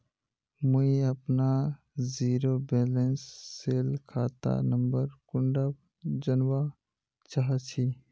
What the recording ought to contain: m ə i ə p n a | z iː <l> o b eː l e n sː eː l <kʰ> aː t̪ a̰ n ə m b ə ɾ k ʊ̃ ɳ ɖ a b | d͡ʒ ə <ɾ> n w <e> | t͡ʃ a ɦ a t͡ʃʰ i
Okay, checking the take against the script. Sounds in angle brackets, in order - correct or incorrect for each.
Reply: incorrect: ɾ, correct, incorrect: none, incorrect: a

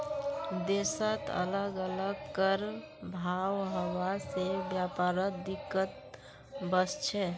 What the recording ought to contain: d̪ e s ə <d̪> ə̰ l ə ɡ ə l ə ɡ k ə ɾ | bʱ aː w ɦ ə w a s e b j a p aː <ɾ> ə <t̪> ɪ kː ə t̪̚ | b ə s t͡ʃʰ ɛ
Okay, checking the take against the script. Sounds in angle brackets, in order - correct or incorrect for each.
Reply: incorrect: t̪, correct, incorrect: d̪

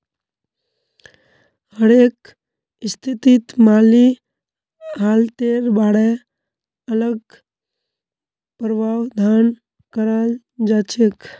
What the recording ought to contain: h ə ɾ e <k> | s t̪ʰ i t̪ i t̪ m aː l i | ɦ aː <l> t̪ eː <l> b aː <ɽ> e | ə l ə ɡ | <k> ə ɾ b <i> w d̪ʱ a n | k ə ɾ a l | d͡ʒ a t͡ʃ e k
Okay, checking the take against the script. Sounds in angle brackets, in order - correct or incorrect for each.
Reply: correct, correct, incorrect: ɾ, correct, incorrect: p, incorrect: a

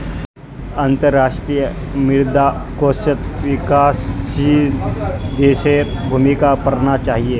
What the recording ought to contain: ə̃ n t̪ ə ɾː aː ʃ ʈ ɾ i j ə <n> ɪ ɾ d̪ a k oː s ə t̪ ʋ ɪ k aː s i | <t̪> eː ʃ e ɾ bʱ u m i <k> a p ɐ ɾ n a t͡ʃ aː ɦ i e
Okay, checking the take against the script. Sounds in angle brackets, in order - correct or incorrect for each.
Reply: incorrect: m, incorrect: d̪, correct

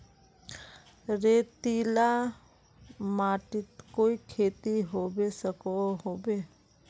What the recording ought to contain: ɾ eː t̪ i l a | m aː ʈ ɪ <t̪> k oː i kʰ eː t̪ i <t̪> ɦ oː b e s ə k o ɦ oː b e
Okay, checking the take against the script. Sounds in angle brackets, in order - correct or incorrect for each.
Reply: correct, incorrect: none

